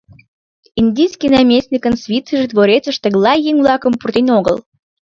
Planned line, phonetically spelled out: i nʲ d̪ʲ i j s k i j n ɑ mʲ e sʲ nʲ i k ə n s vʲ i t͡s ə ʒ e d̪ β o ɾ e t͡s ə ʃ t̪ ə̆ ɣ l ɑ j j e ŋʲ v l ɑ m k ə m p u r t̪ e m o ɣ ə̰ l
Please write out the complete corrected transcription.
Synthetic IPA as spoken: i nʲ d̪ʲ i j s k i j n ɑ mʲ e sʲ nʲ i k ə n s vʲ i t͡s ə ʒ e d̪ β o ɾ e t͡s ə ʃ t̪ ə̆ ɣ l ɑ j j e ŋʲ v l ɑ k ə m p u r t̪ e n o ɣ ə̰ l